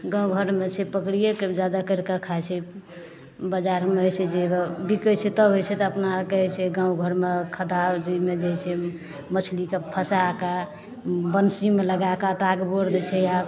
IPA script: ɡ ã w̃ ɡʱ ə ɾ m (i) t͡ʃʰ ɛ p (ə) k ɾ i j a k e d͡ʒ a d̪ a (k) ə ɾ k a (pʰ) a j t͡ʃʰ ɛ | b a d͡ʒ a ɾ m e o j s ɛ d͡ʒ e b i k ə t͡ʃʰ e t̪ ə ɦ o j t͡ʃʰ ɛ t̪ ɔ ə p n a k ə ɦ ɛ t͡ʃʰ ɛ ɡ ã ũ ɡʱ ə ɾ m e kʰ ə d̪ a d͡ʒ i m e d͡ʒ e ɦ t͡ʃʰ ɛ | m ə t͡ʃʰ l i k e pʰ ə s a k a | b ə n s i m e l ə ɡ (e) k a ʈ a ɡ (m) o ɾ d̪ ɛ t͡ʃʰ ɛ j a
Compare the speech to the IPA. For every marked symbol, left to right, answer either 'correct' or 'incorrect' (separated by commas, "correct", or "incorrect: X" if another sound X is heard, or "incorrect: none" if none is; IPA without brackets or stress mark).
incorrect: e, correct, correct, incorrect: kʰ, incorrect: a, incorrect: b